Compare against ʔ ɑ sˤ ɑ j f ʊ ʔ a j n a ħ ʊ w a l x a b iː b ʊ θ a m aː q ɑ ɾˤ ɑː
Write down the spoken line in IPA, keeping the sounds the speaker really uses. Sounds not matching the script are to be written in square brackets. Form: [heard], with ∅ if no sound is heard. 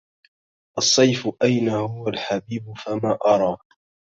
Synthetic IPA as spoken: ʔ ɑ [sˤː] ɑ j f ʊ ʔ a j n a [h] ʊ w a l [ħ] a b iː b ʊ [f] a m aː [ʔ] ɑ ɾˤ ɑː